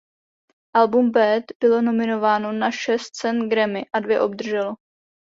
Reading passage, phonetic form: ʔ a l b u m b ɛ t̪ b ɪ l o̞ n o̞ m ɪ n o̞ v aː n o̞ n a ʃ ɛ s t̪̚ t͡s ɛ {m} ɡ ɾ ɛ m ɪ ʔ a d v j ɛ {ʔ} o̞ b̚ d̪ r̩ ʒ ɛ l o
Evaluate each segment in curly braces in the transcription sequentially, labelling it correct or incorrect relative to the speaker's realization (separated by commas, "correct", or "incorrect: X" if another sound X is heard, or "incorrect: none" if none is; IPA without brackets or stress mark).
incorrect: n, correct